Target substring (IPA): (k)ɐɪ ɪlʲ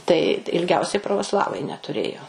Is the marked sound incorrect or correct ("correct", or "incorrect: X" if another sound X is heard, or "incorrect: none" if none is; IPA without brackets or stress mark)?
incorrect: t